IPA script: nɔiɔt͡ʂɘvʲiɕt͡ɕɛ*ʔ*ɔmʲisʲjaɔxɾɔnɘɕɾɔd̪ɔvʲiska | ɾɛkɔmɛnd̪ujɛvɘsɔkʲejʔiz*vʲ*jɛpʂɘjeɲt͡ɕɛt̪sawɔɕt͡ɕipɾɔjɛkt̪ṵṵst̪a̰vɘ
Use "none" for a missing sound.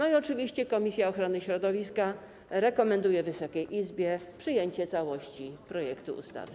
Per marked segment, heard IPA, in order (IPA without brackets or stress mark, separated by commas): k, bʲ